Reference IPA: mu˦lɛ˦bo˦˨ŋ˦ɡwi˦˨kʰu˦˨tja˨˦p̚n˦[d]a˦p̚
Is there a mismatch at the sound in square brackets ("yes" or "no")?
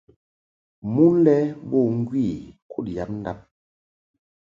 no